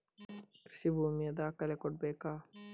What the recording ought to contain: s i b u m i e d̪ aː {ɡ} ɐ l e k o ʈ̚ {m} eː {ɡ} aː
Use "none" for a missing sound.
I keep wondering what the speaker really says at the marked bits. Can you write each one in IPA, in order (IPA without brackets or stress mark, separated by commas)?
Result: k, b, k